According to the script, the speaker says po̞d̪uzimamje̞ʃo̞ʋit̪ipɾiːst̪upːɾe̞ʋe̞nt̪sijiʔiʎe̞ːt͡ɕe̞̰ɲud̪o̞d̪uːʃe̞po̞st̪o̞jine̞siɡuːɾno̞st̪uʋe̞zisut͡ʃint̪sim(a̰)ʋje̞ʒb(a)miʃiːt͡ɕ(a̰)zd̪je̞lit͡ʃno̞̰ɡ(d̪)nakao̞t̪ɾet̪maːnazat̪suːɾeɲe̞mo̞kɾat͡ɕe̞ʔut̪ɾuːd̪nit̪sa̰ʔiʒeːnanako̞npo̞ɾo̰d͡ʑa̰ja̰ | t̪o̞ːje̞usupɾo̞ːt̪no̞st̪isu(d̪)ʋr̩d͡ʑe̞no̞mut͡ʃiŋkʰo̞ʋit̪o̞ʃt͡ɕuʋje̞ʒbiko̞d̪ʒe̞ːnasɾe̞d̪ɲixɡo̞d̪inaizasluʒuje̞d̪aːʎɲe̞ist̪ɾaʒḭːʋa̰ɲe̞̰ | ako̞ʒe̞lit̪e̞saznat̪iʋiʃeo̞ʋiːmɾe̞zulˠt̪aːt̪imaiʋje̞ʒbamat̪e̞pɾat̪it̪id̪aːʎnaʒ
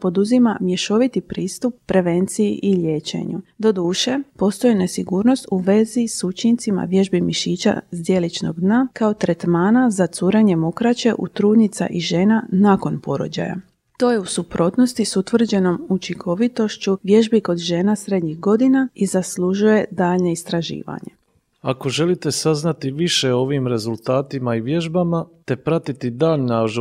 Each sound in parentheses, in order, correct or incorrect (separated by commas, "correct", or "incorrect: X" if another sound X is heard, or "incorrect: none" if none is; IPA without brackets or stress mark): correct, incorrect: i, correct, correct, incorrect: t̪